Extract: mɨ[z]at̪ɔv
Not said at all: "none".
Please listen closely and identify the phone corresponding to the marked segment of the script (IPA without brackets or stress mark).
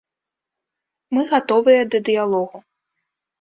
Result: ɣ